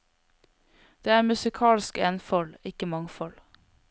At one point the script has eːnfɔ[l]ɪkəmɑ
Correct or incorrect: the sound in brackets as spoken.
correct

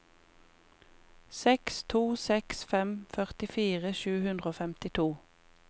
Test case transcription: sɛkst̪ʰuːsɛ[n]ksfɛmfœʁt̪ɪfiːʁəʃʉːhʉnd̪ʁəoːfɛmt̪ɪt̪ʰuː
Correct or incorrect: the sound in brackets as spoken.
incorrect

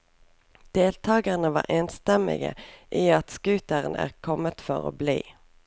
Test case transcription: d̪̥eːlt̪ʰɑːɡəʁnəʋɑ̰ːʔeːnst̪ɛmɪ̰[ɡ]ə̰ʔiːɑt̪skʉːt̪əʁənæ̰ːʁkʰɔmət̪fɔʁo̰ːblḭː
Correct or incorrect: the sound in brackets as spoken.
correct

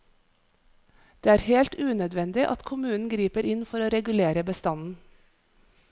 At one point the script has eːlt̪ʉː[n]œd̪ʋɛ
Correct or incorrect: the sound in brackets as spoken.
correct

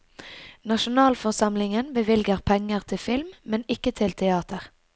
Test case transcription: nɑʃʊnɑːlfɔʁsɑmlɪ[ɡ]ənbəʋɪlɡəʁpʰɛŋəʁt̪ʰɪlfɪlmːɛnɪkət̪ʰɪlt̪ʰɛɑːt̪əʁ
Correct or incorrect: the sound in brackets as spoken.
incorrect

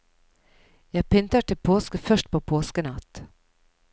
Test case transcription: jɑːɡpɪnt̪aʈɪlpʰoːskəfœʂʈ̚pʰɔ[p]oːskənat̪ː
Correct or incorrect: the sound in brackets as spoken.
incorrect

